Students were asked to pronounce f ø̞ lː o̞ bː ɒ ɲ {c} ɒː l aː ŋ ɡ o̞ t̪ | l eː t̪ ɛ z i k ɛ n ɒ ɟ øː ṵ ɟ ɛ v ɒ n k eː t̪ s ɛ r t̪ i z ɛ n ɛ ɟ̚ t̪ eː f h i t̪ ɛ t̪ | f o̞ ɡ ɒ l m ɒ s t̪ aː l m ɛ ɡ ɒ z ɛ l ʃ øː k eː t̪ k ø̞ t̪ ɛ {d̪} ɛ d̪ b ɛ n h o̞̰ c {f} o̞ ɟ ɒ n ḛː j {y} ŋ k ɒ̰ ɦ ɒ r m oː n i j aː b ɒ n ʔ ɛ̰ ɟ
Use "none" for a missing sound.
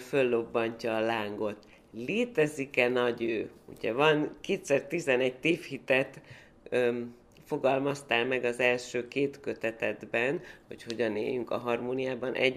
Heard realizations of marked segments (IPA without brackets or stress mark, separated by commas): c, t̪, h, y